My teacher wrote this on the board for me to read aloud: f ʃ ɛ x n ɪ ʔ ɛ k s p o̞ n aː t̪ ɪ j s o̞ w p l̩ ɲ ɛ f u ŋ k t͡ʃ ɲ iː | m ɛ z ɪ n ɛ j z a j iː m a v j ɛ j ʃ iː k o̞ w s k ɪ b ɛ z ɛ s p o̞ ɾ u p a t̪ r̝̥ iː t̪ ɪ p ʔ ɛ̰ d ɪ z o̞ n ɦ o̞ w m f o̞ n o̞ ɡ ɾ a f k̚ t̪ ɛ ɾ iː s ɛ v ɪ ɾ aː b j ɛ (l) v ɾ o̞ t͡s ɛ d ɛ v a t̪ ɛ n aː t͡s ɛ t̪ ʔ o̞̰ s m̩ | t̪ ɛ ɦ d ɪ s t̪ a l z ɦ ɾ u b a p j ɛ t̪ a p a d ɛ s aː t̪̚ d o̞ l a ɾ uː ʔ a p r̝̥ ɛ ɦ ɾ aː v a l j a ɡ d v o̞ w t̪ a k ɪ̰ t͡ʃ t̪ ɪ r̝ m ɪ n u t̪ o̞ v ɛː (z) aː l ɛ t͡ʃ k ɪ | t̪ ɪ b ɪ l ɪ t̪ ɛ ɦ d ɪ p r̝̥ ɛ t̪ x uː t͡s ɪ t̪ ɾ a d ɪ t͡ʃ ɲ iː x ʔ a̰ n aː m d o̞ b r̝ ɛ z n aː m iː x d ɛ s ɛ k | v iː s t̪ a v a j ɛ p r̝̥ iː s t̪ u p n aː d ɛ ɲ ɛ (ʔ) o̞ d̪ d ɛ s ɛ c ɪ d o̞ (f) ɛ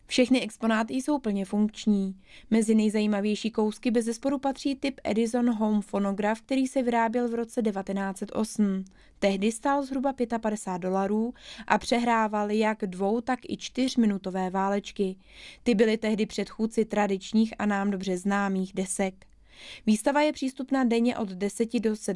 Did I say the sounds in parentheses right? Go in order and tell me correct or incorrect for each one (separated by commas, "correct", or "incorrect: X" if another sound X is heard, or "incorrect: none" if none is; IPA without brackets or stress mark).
correct, incorrect: v, correct, incorrect: s